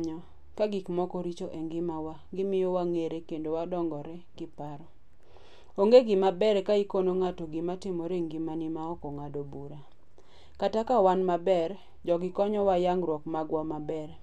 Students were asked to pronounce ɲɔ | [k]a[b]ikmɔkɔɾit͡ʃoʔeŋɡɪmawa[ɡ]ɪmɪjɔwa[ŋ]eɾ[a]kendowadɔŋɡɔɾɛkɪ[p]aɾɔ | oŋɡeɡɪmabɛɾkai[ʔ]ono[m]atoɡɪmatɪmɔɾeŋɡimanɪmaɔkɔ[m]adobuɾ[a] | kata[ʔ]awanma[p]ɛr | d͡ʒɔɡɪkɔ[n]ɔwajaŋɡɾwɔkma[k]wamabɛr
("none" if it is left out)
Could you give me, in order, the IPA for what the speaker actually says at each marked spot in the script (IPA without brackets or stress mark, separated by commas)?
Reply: k, ɡ, ɡ, ŋ, e, p, k, ŋ, ŋ, a, k, b, ɲ, ɡ